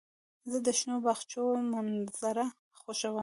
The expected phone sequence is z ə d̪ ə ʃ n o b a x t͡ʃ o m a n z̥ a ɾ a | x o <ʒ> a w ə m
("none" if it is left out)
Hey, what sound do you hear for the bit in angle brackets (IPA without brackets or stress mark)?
ʃ